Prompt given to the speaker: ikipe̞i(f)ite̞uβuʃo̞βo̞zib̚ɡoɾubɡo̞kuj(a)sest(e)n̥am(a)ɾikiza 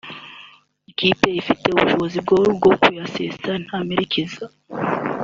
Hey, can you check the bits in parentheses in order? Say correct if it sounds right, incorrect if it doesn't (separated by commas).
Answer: correct, correct, incorrect, incorrect